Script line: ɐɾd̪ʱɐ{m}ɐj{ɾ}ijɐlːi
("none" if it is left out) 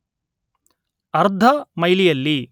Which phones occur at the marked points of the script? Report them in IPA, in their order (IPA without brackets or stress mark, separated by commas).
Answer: m, l